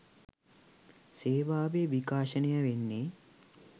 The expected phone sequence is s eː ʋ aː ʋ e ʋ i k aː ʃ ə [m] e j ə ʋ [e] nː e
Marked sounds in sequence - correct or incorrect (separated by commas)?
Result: incorrect, correct